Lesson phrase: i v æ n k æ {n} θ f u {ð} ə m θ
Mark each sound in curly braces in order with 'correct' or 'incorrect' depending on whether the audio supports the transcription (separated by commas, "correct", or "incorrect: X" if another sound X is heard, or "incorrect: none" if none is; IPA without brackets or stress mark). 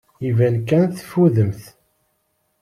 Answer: correct, correct